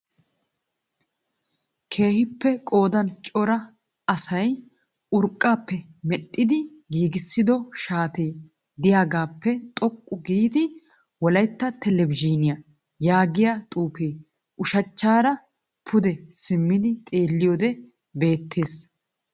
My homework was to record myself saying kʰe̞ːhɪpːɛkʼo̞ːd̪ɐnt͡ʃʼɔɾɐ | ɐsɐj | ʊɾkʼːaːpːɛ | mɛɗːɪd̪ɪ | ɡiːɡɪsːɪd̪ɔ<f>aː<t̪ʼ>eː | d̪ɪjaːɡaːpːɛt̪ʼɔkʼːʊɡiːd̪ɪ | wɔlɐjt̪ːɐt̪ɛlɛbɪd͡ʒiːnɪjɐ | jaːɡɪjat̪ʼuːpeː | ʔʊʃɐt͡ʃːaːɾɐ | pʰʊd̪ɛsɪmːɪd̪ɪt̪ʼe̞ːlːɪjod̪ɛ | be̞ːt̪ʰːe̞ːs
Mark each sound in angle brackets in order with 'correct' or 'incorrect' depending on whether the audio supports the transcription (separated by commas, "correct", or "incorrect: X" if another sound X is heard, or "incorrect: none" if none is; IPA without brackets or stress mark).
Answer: incorrect: ʃ, incorrect: t̪